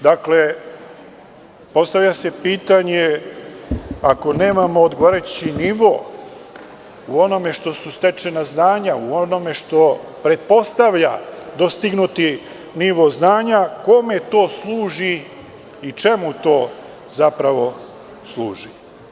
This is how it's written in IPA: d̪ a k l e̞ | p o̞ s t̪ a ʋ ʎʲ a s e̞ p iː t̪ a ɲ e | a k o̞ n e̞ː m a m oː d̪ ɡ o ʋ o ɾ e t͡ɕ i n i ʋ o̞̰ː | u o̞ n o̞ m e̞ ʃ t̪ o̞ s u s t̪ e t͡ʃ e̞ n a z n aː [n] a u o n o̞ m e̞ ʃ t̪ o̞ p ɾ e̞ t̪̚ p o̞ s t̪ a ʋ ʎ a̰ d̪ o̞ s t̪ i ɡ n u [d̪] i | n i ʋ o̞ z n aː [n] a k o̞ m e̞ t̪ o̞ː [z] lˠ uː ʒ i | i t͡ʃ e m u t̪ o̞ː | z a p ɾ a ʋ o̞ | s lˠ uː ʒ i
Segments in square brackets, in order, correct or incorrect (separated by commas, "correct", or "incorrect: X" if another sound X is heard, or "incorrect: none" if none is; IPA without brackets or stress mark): incorrect: ɲ, incorrect: t̪, incorrect: ɲ, incorrect: s